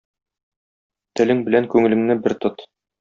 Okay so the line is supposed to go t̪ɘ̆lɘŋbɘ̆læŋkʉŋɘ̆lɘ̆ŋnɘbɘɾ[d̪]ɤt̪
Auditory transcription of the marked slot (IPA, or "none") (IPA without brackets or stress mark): t̪